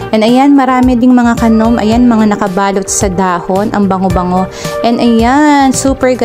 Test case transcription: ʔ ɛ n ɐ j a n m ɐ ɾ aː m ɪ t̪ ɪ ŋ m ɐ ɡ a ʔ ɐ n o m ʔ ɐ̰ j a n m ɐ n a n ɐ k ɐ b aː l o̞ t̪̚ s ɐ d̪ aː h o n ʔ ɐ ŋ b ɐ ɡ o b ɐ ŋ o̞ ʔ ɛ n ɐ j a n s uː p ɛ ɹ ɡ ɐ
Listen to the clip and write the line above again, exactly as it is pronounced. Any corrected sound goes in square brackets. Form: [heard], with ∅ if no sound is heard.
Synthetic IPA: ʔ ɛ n ɐ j a n m ɐ ɾ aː m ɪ [d̪] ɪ ŋ m ɐ [ŋ] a [k] ɐ n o m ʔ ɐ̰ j a n m ɐ [ŋ] a n ɐ k ɐ b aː l o̞ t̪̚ s ɐ d̪ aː h o n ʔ ɐ ŋ b ɐ [ŋ] o b ɐ ŋ o̞ ʔ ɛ n ɐ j a n s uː p ɛ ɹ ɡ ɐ